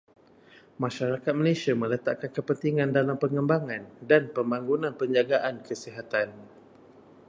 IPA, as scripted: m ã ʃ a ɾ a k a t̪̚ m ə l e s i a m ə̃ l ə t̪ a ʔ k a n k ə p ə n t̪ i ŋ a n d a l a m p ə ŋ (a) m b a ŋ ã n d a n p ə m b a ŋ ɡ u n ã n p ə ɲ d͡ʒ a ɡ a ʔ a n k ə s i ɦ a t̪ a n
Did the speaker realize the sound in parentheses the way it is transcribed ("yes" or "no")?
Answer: no